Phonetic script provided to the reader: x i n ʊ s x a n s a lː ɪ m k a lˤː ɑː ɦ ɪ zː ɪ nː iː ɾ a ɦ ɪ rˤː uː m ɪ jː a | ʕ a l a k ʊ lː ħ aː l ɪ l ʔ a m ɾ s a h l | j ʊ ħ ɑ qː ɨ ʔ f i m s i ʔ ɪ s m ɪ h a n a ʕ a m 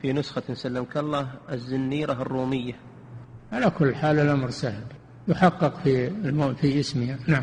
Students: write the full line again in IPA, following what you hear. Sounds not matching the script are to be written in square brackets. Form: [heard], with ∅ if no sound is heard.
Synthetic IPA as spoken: [f] i n ʊ s x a n s a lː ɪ m k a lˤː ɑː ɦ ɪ zː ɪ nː iː ɾ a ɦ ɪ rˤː uː m ɪ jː a | ʕ a l a k ʊ lː ħ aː l ɪ l ʔ a m ɾ s a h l | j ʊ ħ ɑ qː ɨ [q] f i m [f] i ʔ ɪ s m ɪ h a n a ʕ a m